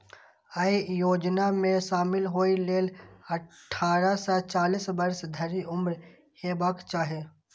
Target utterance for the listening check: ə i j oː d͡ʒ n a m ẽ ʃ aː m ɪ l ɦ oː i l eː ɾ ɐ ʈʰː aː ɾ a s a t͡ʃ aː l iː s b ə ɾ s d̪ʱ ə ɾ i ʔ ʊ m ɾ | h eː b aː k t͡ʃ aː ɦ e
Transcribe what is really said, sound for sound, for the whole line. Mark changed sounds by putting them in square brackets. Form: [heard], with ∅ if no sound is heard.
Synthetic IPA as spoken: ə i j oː d͡ʒ n a m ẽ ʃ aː m ɪ l ɦ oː i l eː [l] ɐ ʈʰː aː ɾ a s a t͡ʃ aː l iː s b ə ɾ s d̪ʱ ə ɾ i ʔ ʊ m ɾ | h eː b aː k t͡ʃ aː ɦ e

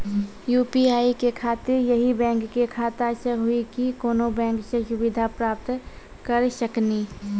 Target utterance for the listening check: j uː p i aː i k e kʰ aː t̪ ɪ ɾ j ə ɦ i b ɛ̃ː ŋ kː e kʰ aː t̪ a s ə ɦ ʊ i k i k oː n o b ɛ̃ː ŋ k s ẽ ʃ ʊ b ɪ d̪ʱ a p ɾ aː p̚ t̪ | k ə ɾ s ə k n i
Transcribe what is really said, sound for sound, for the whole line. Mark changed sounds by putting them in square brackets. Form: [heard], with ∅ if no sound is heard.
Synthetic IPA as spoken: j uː p i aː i k e kʰ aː t̪ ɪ ɾ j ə ɦ i b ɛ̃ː ŋ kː e kʰ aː t̪ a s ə ɦ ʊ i k i k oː n o b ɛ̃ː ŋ k s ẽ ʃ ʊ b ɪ d̪ʱ a p ɾ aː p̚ t̪ | k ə ɾ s ə k n i

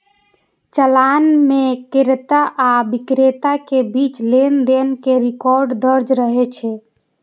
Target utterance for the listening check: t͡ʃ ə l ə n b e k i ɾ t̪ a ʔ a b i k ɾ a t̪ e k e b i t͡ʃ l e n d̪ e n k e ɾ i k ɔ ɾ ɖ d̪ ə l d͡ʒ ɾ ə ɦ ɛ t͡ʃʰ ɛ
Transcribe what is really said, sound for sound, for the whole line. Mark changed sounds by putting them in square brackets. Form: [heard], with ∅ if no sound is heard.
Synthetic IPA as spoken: t͡ʃ ə l [a] n [m] e k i ɾ t̪ a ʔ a b i k ɾ [e] t̪ [a] k e b i t͡ʃ l e n d̪ e n k e ɾ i k ɔ ɾ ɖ d̪ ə [ɾ] d͡ʒ ɾ ə ɦ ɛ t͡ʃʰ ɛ

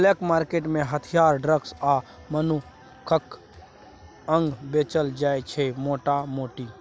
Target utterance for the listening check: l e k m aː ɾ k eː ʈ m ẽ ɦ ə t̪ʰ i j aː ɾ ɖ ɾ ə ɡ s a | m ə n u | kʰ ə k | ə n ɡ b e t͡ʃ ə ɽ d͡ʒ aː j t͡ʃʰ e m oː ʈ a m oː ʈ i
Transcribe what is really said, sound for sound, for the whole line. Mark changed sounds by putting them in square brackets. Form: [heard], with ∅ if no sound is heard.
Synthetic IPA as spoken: l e k m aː ɾ k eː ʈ m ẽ ɦ ə t̪ʰ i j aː ɾ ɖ ɾ ə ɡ s a | m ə n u | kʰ ə k | ə [ŋ] ɡ b e t͡ʃ ə [l] d͡ʒ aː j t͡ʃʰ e m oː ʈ a m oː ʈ i

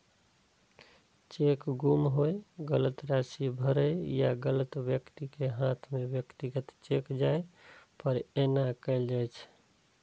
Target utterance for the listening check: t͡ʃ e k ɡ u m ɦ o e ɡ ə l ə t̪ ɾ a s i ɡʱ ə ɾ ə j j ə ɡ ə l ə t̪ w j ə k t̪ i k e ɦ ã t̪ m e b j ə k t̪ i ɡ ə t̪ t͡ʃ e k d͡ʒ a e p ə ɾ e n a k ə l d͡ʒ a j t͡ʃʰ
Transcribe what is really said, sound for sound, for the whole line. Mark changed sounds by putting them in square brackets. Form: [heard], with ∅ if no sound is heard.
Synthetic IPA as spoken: t͡ʃ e k ɡ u m ɦ o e ɡ ə l ə t̪ ɾ a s i [bʱ] ə ɾ ə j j [a] ɡ ə l ə t̪ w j ə k t̪ i k e ɦ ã [t̪ʰ] m e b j ə k t̪ i ɡ ə t̪ t͡ʃ e k d͡ʒ a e p ə ɾ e n a k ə l d͡ʒ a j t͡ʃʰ

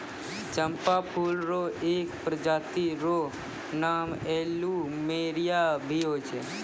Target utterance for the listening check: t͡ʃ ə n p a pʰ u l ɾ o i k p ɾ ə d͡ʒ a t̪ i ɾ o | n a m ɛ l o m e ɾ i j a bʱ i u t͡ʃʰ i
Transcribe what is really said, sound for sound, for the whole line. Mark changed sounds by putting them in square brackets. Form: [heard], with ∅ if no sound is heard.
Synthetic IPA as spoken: t͡ʃ ə [m] p a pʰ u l ɾ o [e] k p ɾ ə d͡ʒ a t̪ i ɾ o | n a m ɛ l [u] m e ɾ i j a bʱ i [o] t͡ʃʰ [e]

